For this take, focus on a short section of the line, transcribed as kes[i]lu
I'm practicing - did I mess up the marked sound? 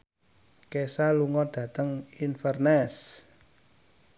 yes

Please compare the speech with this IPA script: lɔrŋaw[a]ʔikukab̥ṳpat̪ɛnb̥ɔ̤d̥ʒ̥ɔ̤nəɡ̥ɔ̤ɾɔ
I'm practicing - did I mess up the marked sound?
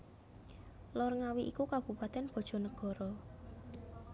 yes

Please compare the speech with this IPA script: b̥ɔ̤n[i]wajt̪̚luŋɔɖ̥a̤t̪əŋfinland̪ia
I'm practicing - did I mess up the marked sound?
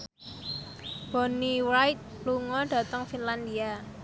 no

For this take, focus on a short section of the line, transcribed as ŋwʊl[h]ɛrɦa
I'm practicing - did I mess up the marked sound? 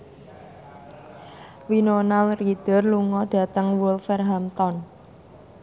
yes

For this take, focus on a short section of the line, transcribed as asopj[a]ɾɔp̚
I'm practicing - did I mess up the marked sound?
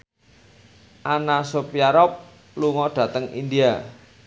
no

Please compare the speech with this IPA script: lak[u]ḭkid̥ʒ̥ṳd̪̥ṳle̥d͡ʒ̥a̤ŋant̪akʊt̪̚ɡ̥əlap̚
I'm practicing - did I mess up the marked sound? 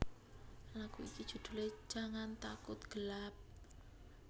no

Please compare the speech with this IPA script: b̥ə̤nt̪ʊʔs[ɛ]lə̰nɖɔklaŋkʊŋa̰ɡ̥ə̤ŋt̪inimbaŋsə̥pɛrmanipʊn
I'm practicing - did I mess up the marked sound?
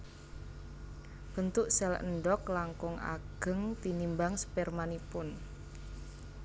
no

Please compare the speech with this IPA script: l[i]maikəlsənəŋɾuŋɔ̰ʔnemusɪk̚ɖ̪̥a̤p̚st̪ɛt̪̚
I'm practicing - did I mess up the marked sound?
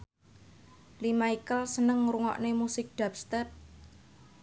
no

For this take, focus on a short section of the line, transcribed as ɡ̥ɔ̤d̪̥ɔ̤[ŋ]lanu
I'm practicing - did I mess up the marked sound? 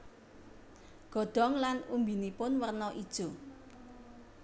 no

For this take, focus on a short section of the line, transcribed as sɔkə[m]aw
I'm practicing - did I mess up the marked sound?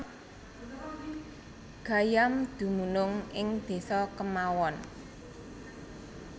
no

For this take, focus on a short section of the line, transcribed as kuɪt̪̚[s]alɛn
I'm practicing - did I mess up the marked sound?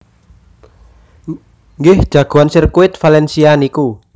yes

